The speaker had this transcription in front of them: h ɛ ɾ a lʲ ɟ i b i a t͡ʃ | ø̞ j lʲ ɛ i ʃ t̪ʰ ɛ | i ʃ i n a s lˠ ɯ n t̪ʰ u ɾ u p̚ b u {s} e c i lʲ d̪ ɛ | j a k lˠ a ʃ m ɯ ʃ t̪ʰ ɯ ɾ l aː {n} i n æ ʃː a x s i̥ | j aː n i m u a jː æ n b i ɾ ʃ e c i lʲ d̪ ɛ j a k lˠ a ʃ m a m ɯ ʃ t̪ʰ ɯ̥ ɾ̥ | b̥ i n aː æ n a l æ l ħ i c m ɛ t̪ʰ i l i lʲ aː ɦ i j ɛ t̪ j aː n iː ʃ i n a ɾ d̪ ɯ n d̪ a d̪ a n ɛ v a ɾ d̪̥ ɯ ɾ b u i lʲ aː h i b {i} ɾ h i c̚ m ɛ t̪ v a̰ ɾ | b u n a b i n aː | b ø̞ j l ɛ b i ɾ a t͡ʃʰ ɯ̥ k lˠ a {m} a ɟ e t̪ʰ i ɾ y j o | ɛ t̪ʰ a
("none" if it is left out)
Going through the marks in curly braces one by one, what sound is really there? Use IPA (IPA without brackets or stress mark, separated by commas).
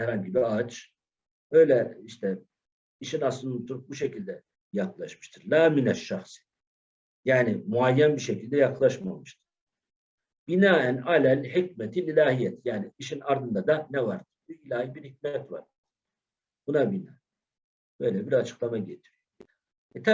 ʃ, m, i, m